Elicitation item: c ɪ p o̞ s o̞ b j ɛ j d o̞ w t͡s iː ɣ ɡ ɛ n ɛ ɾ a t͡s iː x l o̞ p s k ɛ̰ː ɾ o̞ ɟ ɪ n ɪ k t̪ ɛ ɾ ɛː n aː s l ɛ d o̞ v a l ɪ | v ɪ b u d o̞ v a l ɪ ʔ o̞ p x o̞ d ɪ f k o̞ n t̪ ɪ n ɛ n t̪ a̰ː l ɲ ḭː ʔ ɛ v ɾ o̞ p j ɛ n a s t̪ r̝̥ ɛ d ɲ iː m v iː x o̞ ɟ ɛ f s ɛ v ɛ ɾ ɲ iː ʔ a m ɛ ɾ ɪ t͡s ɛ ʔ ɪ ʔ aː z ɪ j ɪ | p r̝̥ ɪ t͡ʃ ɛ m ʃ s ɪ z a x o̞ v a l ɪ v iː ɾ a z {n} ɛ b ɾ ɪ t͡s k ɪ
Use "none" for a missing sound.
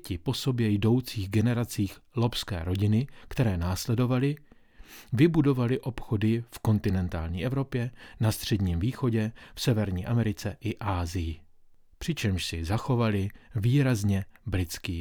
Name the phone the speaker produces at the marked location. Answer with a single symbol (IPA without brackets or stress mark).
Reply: ɲ